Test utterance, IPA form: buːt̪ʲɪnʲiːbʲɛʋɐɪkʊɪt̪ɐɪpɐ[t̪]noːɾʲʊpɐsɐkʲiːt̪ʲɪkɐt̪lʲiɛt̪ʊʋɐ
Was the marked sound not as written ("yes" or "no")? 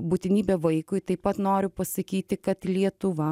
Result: no